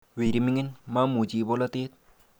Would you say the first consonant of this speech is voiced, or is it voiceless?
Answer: voiced